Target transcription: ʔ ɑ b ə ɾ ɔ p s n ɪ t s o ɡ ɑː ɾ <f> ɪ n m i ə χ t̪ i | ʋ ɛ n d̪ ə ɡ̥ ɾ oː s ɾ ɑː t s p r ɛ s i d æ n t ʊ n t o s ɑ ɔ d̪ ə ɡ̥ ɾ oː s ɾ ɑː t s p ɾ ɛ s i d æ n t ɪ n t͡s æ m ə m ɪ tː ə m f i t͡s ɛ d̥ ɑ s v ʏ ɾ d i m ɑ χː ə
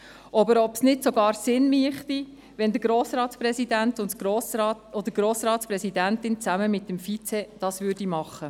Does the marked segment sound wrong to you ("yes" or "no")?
yes